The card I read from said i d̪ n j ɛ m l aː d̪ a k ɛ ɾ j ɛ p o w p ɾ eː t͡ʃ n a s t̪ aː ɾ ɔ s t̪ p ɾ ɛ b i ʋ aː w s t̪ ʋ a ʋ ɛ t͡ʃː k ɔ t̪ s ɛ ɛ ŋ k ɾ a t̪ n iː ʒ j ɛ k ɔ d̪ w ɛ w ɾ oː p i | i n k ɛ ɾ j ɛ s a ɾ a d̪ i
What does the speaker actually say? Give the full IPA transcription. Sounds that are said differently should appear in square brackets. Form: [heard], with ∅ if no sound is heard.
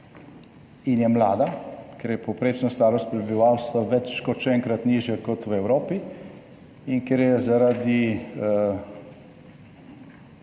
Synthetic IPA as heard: i [∅] n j ɛ m l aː d̪ a k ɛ ɾ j ɛ p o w p ɾ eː t͡ʃ n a s t̪ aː ɾ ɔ s t̪ p ɾ ɛ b i ʋ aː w s t̪ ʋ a ʋ ɛ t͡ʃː k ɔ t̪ [ʃ] ɛ ɛ ŋ k ɾ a t̪ n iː ʒ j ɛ k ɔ [t̪] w ɛ w ɾ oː p i | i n k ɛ ɾ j ɛ [z] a ɾ a d̪ i

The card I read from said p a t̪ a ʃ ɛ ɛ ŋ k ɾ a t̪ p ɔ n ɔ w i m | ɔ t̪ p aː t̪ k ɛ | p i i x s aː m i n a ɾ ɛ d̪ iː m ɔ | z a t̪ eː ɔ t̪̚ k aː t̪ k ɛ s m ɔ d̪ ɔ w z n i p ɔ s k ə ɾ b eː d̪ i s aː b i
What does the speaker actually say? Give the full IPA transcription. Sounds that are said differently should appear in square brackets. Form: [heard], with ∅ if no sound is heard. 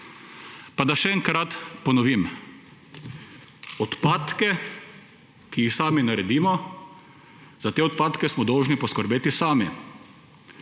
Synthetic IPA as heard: p a [d̪] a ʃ ɛ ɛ ŋ k ɾ a t̪ p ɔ n ɔ [ʋ] i m | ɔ t̪ p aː t̪ k ɛ | [k] i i x s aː m i n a ɾ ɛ d̪ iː m ɔ | z a t̪ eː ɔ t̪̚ [p] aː t̪ k ɛ s m ɔ d̪ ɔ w [ʒ] n i p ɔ s k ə ɾ b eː [t̪] i s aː [m] i

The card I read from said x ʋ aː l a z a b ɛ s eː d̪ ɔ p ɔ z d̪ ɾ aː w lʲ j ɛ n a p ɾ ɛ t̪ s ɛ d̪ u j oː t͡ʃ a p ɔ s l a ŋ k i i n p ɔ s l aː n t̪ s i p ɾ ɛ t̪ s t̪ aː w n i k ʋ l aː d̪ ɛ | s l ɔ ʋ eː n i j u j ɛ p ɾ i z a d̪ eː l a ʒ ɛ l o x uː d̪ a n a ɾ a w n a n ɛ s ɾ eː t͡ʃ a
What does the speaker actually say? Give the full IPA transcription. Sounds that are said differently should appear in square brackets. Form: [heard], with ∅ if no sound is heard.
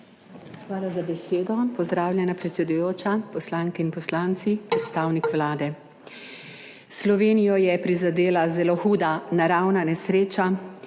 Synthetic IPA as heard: x ʋ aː l a z a b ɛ s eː d̪ ɔ p ɔ z d̪ ɾ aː w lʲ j ɛ n a p ɾ ɛ t̪ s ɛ d̪ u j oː t͡ʃ a p ɔ s l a ŋ k [ɛ] i n p ɔ s l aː n t̪ s i p ɾ ɛ t̪ s t̪ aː w n i k ʋ l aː d̪ ɛ | s l ɔ ʋ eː n i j [ɔ] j ɛ p ɾ i z a d̪ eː l a [z] ɛ l o x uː d̪ a n a ɾ a w n a n ɛ s ɾ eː t͡ʃ a

